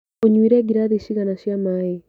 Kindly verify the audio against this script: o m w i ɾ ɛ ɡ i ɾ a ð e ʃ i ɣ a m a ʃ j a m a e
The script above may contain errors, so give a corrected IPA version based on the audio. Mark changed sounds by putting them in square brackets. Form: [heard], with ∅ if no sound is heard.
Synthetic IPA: o [ɲ] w i ɾ ɛ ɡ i ɾ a ð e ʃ i ɣ a [n] a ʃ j a m a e

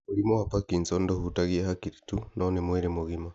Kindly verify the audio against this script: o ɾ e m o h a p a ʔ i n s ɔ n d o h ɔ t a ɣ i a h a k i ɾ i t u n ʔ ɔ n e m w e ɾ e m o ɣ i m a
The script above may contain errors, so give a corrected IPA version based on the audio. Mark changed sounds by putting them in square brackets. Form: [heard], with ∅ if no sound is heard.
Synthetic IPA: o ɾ [i] m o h a p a [k] i n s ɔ n d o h [u] t a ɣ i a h a k i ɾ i t u n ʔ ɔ n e m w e ɾ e m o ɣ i m a

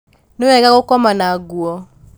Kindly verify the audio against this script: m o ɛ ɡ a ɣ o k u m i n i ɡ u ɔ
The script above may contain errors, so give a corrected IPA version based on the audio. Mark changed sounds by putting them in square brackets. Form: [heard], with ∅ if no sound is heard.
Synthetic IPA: [n] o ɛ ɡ a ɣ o k [ɔ] m [a] n [a] ɡ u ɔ

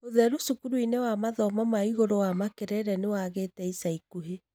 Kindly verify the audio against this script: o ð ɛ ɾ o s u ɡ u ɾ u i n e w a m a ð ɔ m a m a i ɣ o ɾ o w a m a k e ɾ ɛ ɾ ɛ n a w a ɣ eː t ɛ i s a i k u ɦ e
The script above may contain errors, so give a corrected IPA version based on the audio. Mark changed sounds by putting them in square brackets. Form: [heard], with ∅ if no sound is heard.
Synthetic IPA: o ð ɛ ɾ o s u [k] u ɾ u i n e w a m a ð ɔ m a m a i ɣ o ɾ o w a m a k e ɾ ɛ ɾ ɛ n [e] w a ɣ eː t ɛ i s a i k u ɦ e

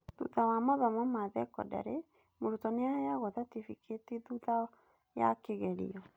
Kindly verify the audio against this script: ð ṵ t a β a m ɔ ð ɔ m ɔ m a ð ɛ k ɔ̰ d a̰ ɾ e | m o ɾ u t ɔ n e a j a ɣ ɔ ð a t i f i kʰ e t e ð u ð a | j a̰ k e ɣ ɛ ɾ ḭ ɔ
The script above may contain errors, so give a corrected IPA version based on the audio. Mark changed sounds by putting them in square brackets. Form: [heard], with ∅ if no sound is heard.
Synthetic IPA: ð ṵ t a [w] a m ɔ ð ɔ m ɔ m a ð ɛ k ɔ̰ d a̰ ɾ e | m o ɾ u t ɔ n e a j a ɣ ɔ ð a t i f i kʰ e t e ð u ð a | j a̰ k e ɣ ɛ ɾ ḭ ɔ

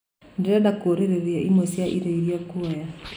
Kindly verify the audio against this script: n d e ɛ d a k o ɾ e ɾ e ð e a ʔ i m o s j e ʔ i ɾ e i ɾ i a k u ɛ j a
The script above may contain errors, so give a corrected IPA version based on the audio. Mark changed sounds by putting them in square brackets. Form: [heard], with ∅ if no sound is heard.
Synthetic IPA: n d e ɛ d a k o ɾ e ɾ e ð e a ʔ i m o s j [a] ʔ i ɾ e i ɾ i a k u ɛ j a

